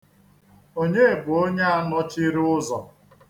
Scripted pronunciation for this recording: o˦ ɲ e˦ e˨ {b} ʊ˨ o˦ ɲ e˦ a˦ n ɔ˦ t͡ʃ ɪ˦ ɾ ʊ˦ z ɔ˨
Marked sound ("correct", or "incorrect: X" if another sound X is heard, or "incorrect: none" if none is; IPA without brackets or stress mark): correct